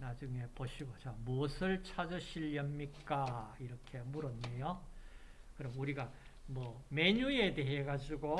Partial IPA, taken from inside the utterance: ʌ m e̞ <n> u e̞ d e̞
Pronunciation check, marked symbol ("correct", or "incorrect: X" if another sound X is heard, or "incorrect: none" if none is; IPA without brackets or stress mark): incorrect: ɲ